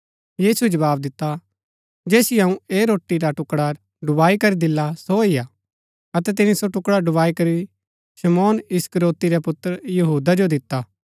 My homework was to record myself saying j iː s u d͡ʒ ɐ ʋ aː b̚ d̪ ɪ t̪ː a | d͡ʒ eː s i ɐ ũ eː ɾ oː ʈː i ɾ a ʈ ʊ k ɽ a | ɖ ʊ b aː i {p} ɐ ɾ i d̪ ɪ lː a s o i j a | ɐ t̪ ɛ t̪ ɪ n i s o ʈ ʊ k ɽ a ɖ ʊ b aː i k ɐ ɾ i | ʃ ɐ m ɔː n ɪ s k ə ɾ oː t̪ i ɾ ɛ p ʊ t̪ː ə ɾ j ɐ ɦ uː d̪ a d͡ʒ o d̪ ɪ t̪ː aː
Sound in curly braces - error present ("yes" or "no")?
yes